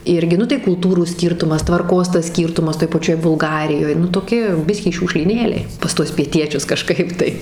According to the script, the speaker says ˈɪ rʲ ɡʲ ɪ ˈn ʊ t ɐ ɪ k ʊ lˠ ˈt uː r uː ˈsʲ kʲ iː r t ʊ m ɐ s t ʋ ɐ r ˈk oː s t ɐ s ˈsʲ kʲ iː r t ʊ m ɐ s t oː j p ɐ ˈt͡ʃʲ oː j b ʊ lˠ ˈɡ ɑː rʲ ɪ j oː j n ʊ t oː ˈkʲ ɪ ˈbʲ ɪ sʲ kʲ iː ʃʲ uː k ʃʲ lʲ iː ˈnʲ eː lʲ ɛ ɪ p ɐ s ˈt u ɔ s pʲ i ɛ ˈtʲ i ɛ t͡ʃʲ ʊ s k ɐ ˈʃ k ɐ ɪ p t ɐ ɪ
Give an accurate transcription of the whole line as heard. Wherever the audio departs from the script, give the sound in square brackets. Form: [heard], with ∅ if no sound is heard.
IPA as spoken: ˈɪ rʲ ɡʲ ɪ ˈn ʊ t ɐ ɪ k ʊ lˠ ˈt uː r uː ˈsʲ kʲ iː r t ʊ m ɐ s t ʋ ɐ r ˈk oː s t ɐ s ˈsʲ kʲ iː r t ʊ m ɐ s t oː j p ɐ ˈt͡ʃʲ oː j b ʊ lˠ ˈɡ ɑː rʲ ɪ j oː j n ʊ t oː ˈkʲ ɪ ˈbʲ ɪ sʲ kʲ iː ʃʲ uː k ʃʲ lʲ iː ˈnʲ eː lʲ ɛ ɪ p ɐ s ˈt u ɔ s pʲ i ɛ ˈtʲ i ɛ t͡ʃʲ ʊ s k ɐ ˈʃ k ɐ ɪ p t ɐ ɪ